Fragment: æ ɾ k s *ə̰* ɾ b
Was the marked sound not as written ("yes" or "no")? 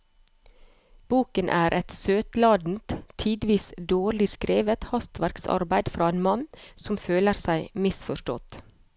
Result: yes